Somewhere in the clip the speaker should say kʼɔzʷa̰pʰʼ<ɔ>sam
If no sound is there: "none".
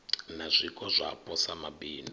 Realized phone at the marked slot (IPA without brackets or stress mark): ɔ